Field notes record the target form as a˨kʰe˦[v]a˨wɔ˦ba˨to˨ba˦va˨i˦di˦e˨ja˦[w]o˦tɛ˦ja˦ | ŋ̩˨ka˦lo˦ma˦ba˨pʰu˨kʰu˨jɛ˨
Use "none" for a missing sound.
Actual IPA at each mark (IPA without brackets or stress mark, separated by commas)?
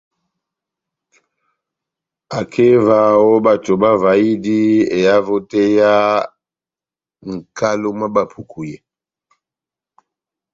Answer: v, v